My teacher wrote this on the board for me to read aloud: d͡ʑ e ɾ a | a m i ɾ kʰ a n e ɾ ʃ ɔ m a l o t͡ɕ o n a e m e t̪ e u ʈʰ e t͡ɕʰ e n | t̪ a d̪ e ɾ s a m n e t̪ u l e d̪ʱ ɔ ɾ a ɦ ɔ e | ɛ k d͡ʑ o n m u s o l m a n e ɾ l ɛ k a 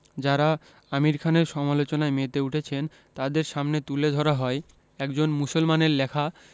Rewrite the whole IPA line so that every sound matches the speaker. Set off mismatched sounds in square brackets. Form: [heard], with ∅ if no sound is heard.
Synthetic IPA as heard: d͡ʑ [a] ɾ a | a m i ɾ kʰ a n e ɾ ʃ ɔ m a l o t͡ɕ o n a e m e t̪ e u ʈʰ e t͡ɕʰ e n | t̪ a d̪ e ɾ [ʃ] a m n e t̪ u l e d̪ʱ ɔ ɾ a ɦ ɔ e | ɛ k d͡ʑ o n m u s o l m a n e ɾ l ɛ [kʰ] a